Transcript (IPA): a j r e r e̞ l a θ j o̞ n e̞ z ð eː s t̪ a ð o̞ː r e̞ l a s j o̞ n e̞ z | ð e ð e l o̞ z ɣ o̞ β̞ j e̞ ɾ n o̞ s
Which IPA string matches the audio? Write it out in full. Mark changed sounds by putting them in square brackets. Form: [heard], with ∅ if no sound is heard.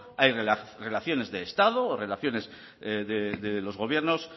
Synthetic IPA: a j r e r e̞ l a θ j o̞ n e̞ z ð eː s t̪ a ð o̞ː r e̞ l a [θ] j o̞ n e̞ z | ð e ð e l o̞ z ɣ o̞ β̞ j e̞ ɾ n o̞ s